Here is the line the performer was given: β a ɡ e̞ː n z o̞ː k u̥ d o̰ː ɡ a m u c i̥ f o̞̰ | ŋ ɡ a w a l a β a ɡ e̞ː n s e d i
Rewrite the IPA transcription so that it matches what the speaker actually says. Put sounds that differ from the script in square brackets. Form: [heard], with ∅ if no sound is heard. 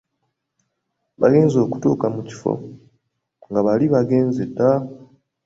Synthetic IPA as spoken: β a ɡ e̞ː n z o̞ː k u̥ [t] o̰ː [k] a m u c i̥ f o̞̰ | ŋ ɡ a [β] a l [i] β a ɡ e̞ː n [z] e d [a]